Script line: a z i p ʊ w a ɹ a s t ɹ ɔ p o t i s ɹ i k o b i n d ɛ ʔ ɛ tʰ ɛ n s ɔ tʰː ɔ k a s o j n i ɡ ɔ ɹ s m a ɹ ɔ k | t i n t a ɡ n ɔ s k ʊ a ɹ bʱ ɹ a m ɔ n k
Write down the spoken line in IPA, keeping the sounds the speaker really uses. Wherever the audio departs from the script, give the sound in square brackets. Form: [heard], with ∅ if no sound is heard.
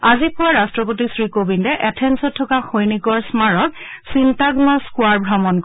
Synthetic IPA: a z i p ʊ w a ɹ a s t ɹ ɔ p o t i s ɹ i k o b i n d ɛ ʔ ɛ tʰ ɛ n s ɔ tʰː ɔ k a [x] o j n i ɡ ɔ ɹ s m a ɹ ɔ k | [s] i n t a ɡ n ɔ s k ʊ a ɹ bʱ ɹ a m ɔ n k